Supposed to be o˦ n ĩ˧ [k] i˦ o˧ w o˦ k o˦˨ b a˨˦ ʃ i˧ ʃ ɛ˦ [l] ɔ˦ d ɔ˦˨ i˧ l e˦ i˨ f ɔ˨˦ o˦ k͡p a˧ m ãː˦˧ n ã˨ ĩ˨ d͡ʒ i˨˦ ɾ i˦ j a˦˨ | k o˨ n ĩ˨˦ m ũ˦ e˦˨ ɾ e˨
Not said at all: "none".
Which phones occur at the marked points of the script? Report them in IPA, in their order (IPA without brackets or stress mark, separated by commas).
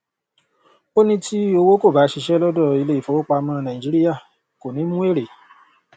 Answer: t, l